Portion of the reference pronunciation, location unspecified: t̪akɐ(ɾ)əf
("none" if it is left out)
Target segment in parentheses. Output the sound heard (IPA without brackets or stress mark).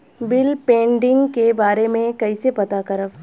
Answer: ɾ